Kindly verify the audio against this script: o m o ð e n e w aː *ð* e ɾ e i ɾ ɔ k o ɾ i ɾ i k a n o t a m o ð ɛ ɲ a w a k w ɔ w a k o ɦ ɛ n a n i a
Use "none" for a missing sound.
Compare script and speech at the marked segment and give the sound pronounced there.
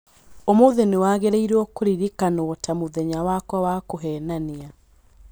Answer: ɣ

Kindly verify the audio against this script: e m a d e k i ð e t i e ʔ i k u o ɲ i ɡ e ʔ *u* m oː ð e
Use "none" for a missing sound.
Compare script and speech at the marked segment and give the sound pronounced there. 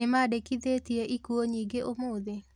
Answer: o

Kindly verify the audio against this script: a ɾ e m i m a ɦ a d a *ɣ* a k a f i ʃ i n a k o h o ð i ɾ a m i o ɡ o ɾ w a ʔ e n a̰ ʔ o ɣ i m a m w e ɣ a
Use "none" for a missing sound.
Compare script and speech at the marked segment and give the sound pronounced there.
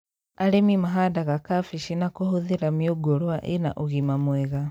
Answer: ɣ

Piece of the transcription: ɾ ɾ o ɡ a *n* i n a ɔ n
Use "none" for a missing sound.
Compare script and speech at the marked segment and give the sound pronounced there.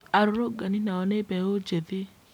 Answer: n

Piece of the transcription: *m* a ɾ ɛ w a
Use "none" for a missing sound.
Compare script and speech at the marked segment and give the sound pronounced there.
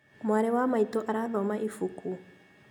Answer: m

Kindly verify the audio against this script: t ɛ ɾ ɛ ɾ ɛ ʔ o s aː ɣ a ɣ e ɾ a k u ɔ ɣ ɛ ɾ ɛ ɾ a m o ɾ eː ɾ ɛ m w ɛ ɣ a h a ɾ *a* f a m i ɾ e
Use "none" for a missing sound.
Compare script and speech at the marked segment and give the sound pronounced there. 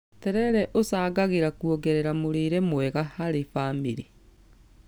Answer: e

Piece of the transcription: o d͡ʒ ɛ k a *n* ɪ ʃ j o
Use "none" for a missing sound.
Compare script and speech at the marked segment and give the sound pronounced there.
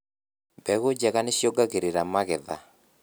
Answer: n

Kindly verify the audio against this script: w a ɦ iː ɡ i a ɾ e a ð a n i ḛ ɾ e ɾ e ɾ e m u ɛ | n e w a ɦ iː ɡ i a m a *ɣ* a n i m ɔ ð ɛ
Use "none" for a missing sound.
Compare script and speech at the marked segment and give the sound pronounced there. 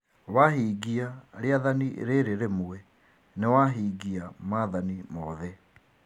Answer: ð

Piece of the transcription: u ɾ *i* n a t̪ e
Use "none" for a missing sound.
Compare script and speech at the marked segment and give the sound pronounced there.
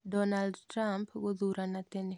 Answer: a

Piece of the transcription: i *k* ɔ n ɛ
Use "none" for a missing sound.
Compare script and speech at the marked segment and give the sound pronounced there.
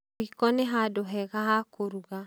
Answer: k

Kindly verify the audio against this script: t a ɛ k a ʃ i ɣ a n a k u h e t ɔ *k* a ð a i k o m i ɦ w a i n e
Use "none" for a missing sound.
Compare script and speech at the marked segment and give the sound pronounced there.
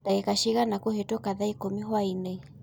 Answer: k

